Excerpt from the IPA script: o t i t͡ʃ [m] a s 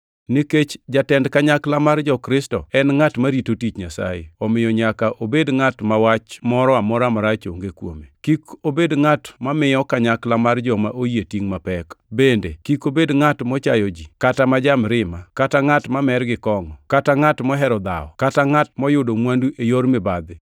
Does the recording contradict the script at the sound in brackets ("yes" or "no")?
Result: yes